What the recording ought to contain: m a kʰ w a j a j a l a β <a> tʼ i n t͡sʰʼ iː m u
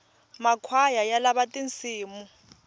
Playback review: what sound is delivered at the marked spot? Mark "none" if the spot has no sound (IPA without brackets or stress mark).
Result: a